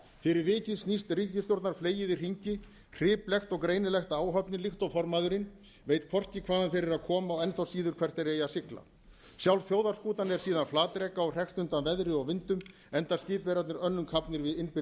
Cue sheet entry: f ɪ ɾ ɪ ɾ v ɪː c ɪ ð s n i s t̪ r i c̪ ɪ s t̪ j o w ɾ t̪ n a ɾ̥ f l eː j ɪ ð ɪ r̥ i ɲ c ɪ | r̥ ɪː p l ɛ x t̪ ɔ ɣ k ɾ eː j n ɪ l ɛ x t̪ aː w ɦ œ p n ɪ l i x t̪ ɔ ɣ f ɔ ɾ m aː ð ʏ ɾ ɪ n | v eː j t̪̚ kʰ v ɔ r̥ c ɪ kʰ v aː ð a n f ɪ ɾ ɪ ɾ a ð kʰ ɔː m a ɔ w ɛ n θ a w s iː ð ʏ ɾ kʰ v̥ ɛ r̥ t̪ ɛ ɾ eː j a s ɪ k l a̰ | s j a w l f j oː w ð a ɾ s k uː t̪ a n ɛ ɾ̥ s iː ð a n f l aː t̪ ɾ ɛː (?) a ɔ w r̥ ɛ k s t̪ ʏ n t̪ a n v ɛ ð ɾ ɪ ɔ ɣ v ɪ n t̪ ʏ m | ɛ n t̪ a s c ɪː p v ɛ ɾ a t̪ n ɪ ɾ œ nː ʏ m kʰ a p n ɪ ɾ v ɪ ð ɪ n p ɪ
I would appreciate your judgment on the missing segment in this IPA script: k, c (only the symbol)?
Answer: k